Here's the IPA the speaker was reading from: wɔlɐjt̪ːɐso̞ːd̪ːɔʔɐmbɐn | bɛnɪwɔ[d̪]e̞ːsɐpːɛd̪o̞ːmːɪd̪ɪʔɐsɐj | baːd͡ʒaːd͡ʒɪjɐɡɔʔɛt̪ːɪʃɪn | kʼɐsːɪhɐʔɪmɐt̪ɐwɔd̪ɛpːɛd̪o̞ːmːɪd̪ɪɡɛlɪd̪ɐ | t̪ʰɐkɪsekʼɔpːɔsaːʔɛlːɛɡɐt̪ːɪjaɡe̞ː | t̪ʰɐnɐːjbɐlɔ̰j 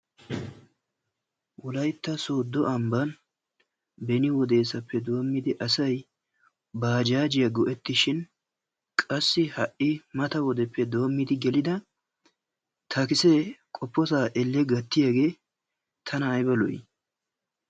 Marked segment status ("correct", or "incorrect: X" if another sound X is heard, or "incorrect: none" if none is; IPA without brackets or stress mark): correct